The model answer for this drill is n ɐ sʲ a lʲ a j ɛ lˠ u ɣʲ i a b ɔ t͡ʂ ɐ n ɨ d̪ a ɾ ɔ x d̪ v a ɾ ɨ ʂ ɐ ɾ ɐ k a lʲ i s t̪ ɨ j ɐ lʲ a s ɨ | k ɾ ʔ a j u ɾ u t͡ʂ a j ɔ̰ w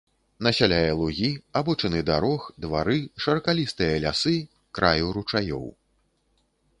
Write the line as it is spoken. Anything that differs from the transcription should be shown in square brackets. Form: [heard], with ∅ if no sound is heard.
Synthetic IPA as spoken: n ɐ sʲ a lʲ a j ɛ lˠ u ɣʲ i a b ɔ t͡ʂ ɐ n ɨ d̪ a ɾ ɔ x d̪ v a ɾ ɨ ʂ ɐ ɾ ɐ k a lʲ i s t̪ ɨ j ɐ lʲ a s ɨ | k ɾ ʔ a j u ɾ u t͡ʂ a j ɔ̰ w